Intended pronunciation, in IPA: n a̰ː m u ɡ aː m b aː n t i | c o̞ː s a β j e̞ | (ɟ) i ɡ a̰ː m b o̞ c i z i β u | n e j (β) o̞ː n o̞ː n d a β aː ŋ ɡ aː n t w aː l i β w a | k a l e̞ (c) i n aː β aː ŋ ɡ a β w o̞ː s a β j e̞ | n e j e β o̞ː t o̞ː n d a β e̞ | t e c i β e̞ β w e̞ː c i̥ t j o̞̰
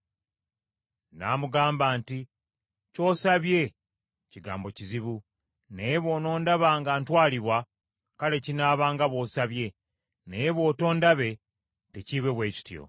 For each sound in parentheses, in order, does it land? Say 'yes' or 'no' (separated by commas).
no, yes, yes